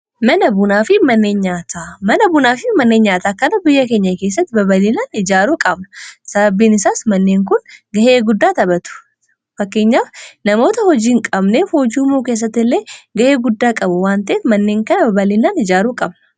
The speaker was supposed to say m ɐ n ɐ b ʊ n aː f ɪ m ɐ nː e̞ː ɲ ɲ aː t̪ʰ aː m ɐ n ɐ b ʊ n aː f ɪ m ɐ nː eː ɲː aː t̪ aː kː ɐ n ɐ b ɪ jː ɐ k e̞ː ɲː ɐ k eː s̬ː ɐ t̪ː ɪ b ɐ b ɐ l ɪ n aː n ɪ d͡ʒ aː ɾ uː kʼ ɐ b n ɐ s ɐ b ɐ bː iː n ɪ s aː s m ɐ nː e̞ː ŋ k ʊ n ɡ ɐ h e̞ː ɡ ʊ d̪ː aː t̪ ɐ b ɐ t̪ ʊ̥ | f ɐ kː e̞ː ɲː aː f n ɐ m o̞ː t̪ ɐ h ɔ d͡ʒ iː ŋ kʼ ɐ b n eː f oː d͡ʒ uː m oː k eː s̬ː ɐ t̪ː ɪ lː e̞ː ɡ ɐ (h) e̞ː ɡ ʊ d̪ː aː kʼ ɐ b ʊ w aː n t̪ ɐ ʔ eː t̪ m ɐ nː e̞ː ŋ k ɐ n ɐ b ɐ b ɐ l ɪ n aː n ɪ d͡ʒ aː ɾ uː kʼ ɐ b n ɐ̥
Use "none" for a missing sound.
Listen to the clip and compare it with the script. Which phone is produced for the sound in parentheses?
h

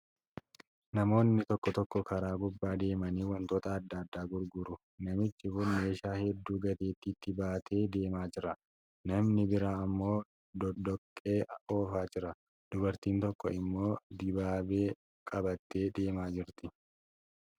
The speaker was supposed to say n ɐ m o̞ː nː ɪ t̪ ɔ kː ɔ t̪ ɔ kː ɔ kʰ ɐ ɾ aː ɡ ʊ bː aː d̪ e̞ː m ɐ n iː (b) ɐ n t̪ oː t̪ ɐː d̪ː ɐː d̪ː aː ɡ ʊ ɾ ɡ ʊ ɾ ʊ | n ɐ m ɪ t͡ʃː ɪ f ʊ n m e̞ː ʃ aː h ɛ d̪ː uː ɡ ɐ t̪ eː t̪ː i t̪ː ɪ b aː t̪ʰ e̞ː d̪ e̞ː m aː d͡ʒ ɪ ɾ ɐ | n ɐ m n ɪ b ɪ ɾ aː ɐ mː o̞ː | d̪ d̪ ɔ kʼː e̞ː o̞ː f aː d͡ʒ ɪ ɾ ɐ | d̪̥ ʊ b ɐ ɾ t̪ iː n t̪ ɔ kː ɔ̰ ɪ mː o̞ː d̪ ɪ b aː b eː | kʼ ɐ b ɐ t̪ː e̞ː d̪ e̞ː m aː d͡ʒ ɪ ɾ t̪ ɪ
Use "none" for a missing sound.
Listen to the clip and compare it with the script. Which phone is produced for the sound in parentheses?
w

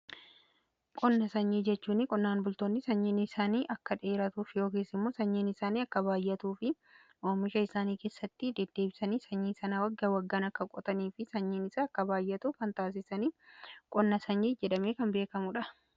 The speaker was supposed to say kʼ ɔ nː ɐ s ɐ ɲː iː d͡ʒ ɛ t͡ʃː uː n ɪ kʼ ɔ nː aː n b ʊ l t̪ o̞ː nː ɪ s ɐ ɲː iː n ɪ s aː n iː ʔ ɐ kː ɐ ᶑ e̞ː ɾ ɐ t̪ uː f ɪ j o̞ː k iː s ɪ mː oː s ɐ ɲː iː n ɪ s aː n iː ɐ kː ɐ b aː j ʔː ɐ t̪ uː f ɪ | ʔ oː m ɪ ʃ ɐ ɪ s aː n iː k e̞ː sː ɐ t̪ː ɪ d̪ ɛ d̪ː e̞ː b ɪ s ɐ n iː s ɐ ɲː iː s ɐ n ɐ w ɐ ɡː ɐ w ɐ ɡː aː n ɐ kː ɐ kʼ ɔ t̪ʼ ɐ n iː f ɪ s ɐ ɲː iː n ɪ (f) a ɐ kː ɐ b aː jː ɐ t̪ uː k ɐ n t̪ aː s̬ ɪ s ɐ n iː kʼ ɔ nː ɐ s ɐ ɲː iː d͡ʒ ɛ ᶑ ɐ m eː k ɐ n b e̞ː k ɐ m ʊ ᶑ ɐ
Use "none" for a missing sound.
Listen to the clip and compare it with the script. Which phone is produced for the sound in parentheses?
s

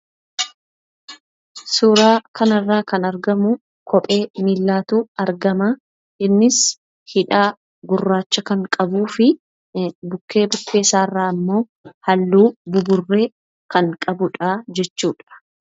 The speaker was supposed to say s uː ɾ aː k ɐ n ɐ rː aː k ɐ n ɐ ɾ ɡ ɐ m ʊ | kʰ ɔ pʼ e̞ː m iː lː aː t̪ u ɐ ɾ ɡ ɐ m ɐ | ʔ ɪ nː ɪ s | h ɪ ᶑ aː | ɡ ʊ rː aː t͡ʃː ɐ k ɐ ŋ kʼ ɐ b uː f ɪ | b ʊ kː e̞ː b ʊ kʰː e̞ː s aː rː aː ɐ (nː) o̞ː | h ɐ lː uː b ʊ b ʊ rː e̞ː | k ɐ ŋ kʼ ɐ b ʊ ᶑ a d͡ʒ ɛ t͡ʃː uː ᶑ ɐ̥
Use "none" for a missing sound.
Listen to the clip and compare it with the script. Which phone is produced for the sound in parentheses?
mː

